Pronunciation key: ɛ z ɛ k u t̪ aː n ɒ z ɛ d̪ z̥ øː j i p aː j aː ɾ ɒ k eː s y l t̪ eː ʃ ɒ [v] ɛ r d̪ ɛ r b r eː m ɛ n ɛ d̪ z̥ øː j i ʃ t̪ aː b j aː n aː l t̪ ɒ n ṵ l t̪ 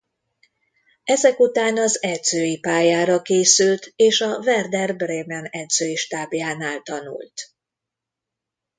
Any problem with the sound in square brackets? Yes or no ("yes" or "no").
no